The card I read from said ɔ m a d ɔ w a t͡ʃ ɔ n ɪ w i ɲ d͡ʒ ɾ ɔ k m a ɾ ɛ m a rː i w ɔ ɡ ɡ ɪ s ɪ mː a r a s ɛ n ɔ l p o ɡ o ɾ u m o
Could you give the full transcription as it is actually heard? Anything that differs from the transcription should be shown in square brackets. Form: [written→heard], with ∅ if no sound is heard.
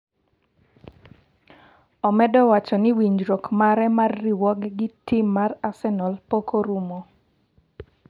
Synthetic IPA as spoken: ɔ m [a→ɛ] d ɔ w a t͡ʃ ɔ n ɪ w i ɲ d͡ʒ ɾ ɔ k m a ɾ ɛ m a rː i w ɔ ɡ ɡ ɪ [s→t] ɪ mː a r a s ɛ n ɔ l p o [ɡ→k] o ɾ u m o